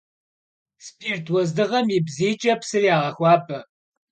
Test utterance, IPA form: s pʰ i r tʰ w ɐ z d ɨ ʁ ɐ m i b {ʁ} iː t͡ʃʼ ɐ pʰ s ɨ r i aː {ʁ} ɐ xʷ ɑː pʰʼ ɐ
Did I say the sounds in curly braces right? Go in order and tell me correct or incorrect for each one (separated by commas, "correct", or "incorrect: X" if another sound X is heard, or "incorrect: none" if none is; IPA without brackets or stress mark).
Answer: incorrect: z, correct